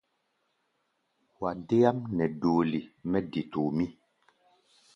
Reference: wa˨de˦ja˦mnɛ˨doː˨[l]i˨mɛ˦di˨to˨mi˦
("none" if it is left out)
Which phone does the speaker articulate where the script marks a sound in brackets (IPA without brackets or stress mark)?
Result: l